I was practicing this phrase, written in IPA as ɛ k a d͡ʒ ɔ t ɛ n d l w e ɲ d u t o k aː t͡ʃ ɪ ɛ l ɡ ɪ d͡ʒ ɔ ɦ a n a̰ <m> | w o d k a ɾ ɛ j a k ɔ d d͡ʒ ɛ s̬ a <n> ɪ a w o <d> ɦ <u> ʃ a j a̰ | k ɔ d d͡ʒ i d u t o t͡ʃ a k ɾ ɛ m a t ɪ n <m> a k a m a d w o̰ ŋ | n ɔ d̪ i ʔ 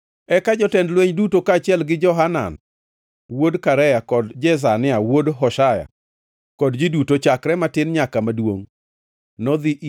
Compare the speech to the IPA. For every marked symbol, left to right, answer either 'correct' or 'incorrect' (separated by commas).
incorrect, correct, correct, incorrect, incorrect